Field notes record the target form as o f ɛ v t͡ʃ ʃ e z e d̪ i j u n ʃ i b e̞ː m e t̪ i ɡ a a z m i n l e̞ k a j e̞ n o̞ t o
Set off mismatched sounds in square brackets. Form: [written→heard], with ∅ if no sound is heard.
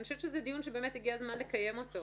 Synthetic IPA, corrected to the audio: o [f→ʃ] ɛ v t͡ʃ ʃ e z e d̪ i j u n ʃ [i→e] b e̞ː m e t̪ i ɡ [a→i] a z m [i→a] n l e̞ k a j e̞ [n→m] o̞ t o